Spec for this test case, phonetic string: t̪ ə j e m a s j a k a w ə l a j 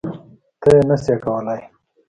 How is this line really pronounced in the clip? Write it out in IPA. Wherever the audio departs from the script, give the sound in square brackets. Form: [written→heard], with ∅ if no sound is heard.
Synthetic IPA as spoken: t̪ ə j e [m→n] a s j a k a w ə l a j

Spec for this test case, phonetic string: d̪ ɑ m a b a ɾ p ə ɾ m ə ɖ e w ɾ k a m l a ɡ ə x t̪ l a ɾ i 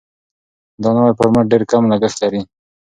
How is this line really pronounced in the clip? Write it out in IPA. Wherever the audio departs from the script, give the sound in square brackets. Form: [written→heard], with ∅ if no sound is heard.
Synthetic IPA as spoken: d̪ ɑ [m→n] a [b→w] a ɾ p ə ɾ m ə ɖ e [w→∅] ɾ k a m l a ɡ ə x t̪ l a ɾ i

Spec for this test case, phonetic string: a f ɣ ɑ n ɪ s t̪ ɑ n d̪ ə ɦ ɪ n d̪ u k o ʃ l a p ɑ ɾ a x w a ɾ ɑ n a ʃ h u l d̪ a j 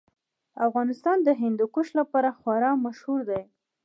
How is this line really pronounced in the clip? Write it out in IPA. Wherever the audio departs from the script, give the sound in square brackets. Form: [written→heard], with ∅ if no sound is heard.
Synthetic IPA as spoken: a f ɣ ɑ n ɪ s t̪ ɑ n d̪ ə ɦ ɪ n d̪ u k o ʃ l a p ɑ ɾ a x w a ɾ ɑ [n→m] a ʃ h u [l→ɾ] d̪ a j

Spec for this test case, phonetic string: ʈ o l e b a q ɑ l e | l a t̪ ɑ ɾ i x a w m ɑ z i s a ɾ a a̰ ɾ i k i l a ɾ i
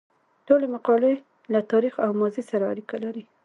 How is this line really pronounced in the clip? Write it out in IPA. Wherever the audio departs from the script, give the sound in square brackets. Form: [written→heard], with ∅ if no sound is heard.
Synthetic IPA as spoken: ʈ o l e [b→m] a q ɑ l e | l a t̪ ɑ ɾ i x a w m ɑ z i s a ɾ a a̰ ɾ i k [i→a] l a ɾ i

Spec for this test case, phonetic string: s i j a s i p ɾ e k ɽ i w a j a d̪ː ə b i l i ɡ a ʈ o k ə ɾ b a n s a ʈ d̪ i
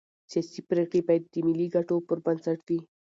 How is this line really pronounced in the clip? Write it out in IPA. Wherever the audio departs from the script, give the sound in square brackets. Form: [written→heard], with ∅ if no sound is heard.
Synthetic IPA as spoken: s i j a s i p ɾ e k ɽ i [w→b] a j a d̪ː ə [b→m] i l i ɡ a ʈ o [k→p] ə ɾ b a n s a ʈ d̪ i

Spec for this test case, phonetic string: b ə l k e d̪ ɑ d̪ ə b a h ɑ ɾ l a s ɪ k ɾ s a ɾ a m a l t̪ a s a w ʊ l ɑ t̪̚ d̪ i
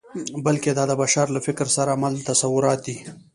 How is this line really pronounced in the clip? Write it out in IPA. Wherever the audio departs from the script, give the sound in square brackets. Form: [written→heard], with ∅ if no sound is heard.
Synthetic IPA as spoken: b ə l k e d̪ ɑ d̪ ə b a [h→ʃ] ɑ ɾ l a [s→f] ɪ k ɾ s a ɾ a m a l t̪ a s a w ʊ [l→ɾ] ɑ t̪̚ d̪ i

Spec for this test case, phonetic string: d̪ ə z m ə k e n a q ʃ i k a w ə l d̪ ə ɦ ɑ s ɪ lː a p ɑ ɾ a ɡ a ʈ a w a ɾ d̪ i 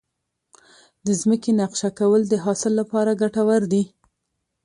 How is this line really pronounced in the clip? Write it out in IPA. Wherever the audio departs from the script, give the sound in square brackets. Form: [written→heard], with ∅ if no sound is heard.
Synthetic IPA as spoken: d̪ ə z m ə k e n a q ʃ [i→a] k a w ə l d̪ ə ɦ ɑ s ɪ lː a p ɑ ɾ a ɡ a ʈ a w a ɾ d̪ i

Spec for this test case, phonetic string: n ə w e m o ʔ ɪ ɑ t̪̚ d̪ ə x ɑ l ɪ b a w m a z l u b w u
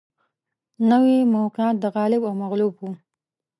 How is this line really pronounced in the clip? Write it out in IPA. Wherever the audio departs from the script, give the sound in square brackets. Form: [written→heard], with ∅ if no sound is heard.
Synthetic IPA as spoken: n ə w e m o [ʔ→q] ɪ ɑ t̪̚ d̪ ə [x→ɣ] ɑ l ɪ b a w m a [z→ɣ] l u b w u

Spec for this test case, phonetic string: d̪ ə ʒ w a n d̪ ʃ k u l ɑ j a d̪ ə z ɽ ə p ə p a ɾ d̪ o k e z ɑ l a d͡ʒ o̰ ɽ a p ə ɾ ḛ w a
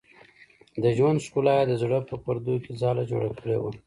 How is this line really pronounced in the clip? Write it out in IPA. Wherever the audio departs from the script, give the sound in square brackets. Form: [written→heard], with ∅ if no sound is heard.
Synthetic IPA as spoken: d̪ ə ʒ w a n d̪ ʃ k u l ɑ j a d̪ ə z ɽ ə p ə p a ɾ d̪ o k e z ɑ l a d͡ʒ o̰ ɽ a [p→k] ə [ɾ→ɽ] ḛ w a

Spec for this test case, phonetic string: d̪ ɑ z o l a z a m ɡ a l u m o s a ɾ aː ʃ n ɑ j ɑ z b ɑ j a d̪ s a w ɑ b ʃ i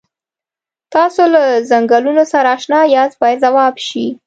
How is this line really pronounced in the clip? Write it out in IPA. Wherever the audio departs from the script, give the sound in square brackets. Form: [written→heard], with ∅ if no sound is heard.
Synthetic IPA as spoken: [d̪→t̪] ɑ [z→s] o l a z a [m→ŋ] ɡ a l u [m→n] o s a ɾ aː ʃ n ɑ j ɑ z b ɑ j a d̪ [s→z] a w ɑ b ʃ i

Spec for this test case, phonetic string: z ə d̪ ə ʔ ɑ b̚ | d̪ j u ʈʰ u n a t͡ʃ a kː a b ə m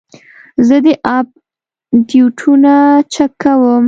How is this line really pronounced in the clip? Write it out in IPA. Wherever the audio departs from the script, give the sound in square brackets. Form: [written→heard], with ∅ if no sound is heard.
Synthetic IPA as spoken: z ə d̪ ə ʔ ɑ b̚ | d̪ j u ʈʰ u n a t͡ʃ a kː a [b→w] ə m

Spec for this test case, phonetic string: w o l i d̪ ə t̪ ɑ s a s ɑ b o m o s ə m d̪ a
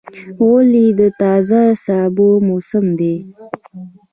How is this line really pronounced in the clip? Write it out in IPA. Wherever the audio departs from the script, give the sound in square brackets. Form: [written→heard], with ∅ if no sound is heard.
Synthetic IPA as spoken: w o l i d̪ ə t̪ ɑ [s→z] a s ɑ b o m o s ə m d̪ [a→e]

